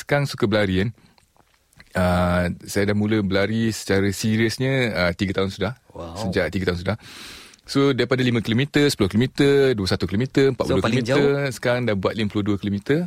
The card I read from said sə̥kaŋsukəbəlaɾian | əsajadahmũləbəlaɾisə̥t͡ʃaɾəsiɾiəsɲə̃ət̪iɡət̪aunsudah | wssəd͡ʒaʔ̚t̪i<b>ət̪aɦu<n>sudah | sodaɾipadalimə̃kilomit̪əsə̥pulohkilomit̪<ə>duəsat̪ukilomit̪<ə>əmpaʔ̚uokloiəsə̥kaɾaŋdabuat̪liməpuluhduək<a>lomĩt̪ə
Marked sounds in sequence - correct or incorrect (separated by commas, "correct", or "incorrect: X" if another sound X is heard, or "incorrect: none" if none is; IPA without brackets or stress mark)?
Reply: incorrect: ɡ, correct, correct, correct, incorrect: i